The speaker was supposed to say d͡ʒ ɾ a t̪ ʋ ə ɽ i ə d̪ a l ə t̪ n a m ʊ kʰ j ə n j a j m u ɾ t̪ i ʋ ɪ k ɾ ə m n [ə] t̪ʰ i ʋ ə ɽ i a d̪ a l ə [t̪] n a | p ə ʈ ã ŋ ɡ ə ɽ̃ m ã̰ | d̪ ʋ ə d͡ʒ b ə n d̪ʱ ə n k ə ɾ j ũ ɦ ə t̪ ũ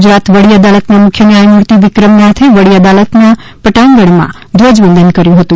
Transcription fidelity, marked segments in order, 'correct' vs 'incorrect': incorrect, correct

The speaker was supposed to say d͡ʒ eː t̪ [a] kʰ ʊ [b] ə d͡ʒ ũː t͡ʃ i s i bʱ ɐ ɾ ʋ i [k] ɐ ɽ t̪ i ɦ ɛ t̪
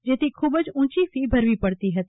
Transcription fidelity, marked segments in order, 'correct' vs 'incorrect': incorrect, correct, incorrect

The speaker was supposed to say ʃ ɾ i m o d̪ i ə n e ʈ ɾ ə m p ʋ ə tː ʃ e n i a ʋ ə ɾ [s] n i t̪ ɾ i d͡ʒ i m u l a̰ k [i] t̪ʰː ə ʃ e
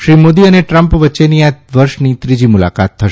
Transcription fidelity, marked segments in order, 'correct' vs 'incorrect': incorrect, incorrect

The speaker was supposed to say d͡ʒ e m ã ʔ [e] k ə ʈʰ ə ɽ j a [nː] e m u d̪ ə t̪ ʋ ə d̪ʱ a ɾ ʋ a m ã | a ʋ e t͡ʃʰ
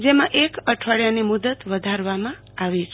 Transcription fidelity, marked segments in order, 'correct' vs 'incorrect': correct, incorrect

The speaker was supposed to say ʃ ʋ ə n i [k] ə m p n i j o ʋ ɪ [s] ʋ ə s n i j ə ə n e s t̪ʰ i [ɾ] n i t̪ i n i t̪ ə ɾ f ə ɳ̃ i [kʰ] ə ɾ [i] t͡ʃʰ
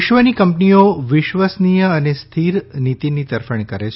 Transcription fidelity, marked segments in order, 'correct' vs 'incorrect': correct, incorrect, correct, incorrect, incorrect

